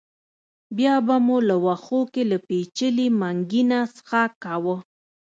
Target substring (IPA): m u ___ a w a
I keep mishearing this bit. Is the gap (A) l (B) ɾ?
A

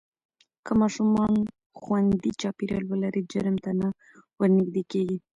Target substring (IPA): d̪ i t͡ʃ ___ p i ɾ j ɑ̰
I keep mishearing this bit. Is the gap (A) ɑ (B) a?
A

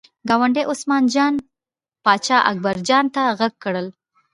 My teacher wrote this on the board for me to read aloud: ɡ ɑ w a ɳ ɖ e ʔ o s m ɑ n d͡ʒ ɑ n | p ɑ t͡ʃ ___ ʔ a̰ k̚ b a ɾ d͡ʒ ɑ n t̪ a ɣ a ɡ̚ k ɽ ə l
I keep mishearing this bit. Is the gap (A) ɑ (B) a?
A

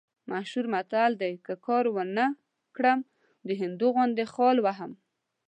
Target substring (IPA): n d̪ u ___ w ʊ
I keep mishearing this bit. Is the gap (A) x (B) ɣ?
B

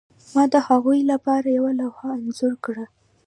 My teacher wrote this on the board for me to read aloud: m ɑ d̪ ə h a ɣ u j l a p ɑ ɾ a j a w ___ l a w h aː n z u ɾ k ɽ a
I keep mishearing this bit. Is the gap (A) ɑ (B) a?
B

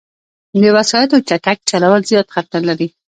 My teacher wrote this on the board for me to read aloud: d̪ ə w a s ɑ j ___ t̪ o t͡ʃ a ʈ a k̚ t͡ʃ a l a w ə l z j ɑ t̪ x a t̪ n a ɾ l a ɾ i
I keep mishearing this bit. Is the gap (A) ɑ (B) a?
B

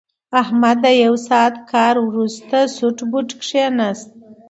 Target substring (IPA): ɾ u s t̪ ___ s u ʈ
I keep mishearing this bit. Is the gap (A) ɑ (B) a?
B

